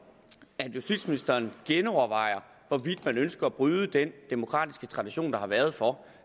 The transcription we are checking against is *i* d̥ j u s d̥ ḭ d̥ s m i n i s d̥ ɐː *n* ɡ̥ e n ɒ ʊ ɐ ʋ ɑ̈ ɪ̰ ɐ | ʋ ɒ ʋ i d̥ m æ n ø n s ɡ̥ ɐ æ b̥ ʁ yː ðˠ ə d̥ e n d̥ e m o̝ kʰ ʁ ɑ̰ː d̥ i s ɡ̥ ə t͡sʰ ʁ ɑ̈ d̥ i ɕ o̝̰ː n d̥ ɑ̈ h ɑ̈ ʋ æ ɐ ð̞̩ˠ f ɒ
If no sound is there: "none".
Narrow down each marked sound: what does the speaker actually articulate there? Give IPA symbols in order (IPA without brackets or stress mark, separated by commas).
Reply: æ, n